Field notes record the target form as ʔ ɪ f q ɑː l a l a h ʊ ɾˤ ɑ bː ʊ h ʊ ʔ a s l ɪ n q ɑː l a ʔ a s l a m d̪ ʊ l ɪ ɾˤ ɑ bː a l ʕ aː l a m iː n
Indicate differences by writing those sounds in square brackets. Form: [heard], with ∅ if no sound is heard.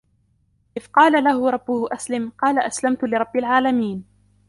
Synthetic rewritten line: ʔ ɪ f q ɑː l a l a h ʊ ɾˤ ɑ bː ʊ h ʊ ʔ a s l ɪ [m] q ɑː l a ʔ a s l a m [t̪] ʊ l ɪ ɾˤ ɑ bː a l ʕ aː l a m iː n